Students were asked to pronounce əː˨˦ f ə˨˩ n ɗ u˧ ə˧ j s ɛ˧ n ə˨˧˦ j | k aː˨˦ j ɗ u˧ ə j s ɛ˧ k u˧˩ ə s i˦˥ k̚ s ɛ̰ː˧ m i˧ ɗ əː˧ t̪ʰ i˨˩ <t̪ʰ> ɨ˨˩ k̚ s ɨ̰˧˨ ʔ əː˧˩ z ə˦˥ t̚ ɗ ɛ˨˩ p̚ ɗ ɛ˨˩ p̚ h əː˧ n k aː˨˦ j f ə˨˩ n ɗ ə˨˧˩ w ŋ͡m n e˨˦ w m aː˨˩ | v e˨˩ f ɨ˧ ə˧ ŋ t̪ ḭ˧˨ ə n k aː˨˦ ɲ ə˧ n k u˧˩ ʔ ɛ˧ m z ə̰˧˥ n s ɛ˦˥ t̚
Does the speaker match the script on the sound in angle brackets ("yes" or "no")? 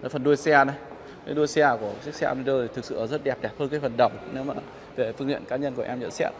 no